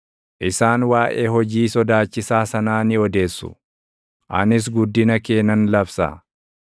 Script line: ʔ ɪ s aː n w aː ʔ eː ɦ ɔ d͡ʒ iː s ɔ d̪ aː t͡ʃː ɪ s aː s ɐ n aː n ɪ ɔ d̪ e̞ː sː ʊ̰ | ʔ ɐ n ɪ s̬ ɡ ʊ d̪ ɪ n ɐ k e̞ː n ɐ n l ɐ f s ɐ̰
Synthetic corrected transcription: ʔ ɪ s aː n w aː ʔ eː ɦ ɔ d͡ʒ iː s ɔ d̪ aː t͡ʃː ɪ s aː s ɐ n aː n ɪ ɔ d̪ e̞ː sː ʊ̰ | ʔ ɐ n ɪ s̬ ɡ ʊ d̪ː ɪ n ɐ k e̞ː n ɐ n l ɐ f s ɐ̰